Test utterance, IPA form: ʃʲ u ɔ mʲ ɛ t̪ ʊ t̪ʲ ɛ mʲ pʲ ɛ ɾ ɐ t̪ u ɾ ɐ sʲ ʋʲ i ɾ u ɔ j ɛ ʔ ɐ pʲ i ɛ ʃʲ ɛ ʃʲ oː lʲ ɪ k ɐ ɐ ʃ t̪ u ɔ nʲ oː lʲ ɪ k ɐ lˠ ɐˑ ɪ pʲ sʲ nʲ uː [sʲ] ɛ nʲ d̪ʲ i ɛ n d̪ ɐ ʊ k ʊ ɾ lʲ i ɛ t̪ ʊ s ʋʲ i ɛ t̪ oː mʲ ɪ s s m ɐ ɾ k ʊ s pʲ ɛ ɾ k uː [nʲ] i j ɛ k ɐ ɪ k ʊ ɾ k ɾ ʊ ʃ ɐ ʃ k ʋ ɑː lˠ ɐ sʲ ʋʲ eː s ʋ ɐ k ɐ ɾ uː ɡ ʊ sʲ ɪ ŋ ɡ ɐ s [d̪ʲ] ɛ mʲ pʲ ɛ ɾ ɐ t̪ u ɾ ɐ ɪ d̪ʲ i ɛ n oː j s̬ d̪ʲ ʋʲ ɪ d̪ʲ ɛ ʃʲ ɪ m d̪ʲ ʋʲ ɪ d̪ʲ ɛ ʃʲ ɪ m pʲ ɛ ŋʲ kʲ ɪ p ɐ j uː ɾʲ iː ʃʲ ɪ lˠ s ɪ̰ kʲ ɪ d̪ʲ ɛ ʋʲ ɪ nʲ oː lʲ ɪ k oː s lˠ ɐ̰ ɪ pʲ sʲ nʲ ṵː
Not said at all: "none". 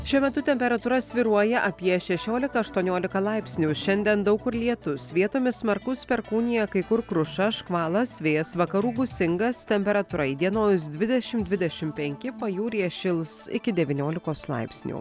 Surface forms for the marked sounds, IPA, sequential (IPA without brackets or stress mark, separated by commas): ʃʲ, nʲ, t̪ʲ